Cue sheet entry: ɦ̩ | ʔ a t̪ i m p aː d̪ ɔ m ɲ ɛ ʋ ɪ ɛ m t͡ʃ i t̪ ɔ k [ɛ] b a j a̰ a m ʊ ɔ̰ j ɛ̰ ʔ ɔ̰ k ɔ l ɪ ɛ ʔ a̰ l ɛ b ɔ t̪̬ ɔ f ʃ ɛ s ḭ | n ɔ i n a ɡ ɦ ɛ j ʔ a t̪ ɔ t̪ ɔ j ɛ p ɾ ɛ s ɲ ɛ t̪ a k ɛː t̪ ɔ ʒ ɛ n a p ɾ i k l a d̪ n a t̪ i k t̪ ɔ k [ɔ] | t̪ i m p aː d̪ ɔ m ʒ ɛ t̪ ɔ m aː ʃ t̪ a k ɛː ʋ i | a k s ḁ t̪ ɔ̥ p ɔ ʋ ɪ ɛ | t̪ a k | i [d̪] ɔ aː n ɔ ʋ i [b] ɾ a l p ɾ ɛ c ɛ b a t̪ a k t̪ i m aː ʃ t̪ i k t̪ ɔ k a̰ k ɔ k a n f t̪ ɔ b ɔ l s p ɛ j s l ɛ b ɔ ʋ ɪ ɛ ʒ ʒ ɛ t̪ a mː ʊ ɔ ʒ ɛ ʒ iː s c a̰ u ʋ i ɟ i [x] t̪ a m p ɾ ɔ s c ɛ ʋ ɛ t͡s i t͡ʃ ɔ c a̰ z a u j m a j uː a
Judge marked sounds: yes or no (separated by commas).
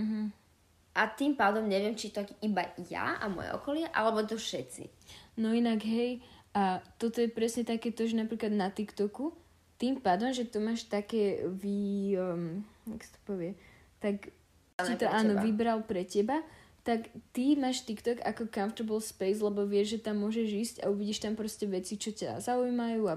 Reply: no, no, no, yes, no